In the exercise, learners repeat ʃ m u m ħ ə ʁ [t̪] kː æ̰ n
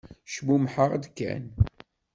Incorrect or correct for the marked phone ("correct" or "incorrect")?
incorrect